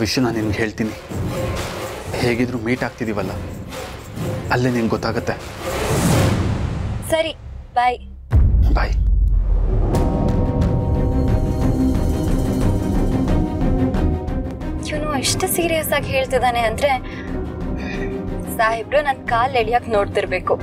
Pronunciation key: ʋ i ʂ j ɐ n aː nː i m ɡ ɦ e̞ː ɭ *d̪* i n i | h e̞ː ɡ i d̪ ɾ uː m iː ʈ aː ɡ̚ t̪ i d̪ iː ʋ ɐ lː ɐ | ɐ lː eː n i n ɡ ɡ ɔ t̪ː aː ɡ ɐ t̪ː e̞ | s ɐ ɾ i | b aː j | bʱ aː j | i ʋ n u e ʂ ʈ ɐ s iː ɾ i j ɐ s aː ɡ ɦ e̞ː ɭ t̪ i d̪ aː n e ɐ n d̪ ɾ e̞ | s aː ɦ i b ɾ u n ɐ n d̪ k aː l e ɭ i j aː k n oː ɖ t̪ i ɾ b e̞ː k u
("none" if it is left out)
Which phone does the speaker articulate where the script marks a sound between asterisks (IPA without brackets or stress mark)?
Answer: t̪